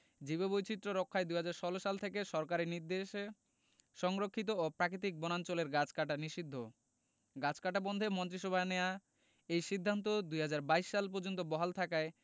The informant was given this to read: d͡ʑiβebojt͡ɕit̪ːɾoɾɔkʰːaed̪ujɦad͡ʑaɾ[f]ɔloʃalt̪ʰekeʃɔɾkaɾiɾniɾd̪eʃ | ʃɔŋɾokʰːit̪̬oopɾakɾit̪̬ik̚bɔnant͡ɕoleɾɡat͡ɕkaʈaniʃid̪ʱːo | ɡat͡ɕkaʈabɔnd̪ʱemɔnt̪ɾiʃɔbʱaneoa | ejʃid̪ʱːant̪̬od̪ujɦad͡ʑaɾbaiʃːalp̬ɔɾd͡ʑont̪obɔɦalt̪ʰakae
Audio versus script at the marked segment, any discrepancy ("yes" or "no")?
yes